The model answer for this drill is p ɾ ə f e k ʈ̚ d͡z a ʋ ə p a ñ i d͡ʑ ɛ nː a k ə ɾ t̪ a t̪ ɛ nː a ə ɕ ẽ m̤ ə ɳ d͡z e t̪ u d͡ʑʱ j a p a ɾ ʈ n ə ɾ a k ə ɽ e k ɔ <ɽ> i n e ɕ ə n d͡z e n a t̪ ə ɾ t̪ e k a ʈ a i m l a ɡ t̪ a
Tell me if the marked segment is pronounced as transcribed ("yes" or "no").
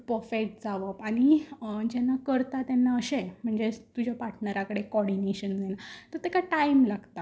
yes